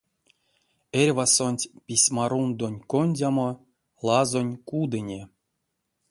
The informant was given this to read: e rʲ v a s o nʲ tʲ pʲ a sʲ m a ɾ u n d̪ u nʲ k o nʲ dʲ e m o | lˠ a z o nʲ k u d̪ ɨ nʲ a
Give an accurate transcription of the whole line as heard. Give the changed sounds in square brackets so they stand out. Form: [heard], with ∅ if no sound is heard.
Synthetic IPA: e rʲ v a s o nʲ tʲ pʲ [i] sʲ m a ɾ u n d̪ [o] nʲ k o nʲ dʲ [a] m o | lˠ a z o nʲ k u d̪ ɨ nʲ [e]